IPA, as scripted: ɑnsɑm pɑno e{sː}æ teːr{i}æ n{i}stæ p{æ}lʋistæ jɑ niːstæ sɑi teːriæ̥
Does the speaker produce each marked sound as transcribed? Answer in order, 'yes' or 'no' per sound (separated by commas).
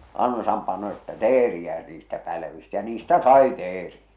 no, yes, no, yes